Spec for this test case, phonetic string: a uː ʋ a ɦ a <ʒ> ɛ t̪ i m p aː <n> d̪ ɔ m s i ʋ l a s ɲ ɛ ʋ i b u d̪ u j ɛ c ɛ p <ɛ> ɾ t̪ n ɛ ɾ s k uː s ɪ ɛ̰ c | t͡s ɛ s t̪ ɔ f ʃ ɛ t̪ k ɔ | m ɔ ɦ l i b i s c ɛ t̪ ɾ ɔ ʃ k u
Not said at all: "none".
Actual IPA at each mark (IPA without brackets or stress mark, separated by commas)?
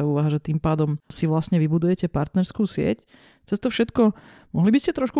ʒ, none, a